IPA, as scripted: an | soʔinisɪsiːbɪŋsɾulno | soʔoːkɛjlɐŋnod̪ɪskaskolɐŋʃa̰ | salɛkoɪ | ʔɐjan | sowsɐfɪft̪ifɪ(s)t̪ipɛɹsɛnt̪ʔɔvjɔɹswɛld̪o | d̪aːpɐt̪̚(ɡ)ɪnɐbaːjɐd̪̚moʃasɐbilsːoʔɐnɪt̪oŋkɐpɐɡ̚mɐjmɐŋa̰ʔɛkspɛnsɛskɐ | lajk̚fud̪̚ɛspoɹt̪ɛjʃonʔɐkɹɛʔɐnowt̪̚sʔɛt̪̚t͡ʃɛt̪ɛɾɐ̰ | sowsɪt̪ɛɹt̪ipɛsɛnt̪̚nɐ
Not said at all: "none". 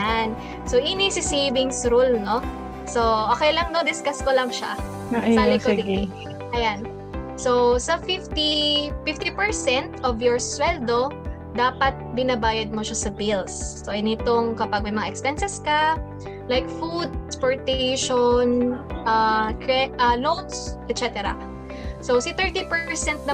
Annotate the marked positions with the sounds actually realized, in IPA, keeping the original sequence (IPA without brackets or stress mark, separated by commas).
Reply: f, b